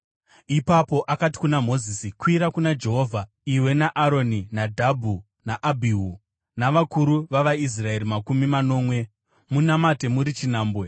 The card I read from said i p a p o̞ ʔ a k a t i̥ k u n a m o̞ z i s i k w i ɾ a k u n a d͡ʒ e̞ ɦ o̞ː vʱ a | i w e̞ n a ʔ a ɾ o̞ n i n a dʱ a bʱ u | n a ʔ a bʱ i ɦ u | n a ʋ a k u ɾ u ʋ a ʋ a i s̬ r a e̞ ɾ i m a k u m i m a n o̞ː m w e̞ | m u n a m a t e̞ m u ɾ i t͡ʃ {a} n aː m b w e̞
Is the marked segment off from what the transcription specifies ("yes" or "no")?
yes